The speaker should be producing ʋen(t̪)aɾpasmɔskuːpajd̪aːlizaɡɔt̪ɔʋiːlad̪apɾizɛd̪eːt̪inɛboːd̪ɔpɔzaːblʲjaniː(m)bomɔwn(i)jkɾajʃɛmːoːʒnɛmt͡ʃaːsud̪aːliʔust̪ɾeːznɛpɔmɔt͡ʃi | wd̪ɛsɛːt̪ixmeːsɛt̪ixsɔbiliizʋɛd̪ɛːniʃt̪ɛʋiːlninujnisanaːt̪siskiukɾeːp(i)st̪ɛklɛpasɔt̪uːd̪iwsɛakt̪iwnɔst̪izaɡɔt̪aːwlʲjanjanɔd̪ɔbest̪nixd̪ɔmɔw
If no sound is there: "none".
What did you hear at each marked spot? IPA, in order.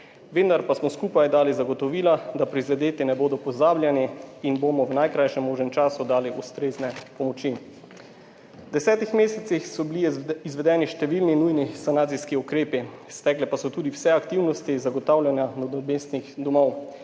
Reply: d̪, n, a, i

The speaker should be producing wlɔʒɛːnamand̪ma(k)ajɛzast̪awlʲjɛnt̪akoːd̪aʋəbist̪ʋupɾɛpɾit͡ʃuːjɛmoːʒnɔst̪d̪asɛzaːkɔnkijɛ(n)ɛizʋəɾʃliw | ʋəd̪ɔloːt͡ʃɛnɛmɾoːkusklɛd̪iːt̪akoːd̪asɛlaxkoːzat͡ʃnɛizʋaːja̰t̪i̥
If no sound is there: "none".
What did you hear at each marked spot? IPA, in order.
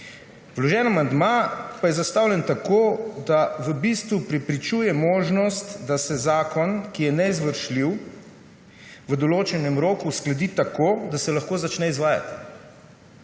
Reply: p, n

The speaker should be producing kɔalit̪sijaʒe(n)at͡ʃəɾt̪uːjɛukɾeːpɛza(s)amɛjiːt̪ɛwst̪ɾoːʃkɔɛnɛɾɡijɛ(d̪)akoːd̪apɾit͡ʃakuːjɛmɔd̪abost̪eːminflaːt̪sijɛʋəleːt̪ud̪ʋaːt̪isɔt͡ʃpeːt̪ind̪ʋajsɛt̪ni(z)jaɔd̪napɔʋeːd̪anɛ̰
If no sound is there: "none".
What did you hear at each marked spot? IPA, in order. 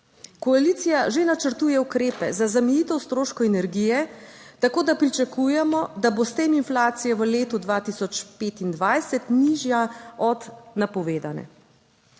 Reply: n, z, t̪, ʒ

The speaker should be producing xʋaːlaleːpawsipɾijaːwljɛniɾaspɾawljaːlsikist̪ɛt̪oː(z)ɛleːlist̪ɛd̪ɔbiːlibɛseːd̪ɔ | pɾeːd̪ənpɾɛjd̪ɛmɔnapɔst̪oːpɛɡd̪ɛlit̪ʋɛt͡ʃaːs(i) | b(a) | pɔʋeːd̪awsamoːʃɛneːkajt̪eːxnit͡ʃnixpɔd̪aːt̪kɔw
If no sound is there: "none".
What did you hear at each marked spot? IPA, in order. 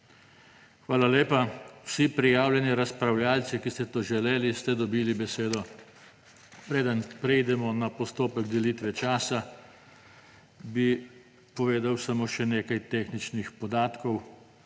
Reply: ʒ, a, i

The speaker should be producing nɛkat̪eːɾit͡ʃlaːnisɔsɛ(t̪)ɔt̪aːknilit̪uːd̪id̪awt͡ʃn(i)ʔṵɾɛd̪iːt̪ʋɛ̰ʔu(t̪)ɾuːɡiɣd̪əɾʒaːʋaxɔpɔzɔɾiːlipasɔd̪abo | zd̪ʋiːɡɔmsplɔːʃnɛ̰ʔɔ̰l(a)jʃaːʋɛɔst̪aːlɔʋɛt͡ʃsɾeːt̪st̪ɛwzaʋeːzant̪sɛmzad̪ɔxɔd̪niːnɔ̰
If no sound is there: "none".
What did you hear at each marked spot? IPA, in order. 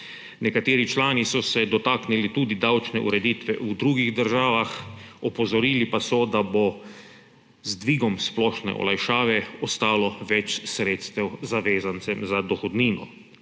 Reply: d̪, ɛ, d̪, a

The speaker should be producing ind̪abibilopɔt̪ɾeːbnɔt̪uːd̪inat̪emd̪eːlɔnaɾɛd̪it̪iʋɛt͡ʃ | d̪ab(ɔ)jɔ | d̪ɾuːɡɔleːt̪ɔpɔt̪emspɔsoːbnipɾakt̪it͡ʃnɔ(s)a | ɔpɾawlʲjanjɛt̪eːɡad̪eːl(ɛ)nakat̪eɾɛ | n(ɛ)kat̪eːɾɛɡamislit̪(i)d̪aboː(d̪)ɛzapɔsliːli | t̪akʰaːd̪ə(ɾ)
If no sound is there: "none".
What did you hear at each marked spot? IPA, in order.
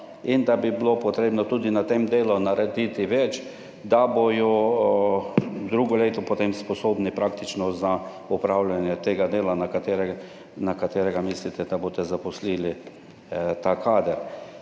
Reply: o, z, a, a, ɛ, t̪, ɾ

